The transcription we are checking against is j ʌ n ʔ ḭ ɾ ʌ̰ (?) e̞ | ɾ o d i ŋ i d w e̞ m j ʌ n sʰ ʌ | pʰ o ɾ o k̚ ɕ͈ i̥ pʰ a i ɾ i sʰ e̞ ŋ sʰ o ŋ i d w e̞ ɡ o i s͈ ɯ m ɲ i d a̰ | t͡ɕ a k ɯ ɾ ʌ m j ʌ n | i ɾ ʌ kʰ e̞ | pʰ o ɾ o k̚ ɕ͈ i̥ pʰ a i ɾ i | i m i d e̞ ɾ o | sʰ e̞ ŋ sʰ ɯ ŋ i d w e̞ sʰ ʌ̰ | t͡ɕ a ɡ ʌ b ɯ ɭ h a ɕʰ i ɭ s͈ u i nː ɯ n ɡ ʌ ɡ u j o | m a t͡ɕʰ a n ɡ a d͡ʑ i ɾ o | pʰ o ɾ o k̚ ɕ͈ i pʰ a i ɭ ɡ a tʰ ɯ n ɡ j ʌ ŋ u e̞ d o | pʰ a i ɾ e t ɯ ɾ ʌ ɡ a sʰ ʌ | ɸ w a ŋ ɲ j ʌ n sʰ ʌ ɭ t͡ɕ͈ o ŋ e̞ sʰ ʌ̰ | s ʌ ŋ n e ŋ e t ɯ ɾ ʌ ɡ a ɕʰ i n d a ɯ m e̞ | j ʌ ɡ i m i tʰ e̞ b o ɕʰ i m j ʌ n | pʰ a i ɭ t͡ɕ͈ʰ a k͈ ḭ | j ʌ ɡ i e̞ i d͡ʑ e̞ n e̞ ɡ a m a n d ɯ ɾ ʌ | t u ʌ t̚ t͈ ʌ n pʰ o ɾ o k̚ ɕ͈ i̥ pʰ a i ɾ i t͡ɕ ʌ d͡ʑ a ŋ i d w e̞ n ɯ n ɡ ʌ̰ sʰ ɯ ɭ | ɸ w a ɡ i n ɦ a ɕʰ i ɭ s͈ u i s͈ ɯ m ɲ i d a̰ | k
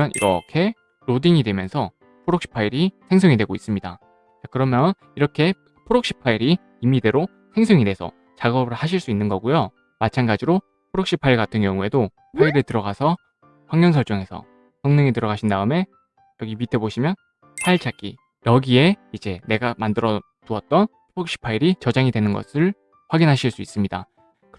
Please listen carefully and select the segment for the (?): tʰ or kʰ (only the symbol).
kʰ